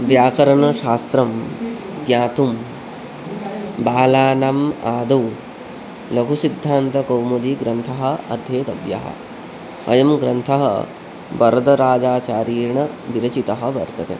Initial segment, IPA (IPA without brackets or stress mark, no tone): ʋ